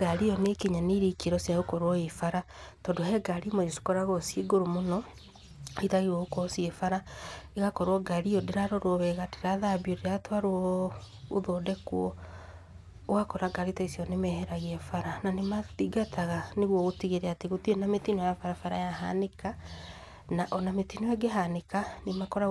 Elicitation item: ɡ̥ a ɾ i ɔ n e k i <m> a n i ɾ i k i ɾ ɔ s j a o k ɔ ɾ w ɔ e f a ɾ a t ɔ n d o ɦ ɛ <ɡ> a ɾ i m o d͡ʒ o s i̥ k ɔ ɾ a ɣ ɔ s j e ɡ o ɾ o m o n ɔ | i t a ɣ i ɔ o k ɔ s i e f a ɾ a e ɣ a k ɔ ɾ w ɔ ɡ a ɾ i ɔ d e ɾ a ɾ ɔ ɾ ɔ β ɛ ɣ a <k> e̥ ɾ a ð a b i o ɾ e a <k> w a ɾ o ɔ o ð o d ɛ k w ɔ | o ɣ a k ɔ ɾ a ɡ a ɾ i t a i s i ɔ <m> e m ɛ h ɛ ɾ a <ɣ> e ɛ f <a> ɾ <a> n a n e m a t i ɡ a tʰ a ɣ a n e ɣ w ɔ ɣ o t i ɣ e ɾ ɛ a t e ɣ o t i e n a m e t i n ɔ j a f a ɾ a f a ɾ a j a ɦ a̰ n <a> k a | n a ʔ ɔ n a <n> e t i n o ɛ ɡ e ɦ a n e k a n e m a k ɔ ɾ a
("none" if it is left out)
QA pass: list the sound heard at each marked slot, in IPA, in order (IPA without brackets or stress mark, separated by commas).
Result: ɲ, ɡ, t, t, n, ɣ, a, a, e, m